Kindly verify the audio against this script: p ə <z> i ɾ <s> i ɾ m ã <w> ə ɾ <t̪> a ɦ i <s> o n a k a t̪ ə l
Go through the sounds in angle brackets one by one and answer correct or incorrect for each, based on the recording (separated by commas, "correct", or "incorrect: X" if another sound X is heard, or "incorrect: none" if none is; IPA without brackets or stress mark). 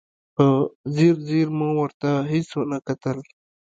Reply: correct, incorrect: z, correct, correct, correct